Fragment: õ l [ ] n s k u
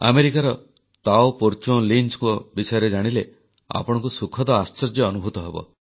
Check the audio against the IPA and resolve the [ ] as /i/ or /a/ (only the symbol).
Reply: i